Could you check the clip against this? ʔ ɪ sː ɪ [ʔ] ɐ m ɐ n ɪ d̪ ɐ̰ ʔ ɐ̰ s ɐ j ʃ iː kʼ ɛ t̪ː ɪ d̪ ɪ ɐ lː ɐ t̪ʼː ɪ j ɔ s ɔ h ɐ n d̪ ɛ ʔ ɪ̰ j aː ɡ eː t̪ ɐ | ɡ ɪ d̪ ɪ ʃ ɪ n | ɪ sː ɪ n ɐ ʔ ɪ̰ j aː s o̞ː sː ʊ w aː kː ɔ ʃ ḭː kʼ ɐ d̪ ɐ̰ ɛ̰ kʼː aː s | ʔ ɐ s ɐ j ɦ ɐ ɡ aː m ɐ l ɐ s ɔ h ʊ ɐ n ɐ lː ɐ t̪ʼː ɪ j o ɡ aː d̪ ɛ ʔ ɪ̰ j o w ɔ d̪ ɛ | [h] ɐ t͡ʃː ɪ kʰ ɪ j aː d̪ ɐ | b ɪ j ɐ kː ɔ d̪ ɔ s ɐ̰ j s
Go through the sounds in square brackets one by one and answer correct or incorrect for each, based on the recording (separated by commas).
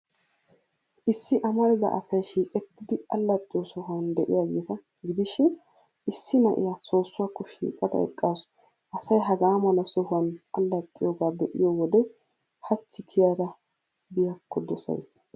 correct, correct